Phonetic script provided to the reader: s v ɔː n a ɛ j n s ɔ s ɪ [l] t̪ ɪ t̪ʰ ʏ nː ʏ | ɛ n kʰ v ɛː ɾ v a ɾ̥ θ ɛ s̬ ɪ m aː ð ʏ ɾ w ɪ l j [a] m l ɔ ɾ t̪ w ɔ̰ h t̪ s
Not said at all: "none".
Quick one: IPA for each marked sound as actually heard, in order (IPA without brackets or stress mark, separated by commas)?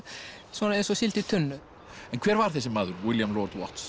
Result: l, a